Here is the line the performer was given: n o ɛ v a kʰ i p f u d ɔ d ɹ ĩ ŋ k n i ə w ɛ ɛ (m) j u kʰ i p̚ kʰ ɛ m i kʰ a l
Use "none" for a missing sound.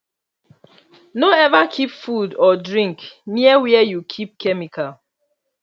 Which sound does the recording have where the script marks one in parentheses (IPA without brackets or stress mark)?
none